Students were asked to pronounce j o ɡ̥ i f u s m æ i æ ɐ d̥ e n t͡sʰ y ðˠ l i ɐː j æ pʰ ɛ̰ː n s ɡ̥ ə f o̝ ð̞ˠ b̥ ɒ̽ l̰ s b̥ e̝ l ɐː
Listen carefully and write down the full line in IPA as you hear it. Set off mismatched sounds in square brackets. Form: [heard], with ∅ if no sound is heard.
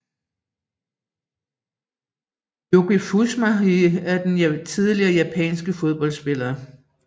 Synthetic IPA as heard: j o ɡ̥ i f u s m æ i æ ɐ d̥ e n t͡sʰ [i] ðˠ l i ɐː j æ pʰ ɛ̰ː n s ɡ̥ ə f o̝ ð̞ˠ b̥ ɒ̽ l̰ s b̥ e̝ l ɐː